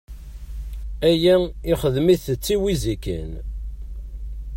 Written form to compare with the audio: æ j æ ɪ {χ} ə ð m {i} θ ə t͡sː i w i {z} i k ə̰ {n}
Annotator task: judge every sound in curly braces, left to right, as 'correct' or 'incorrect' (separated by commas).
correct, correct, correct, correct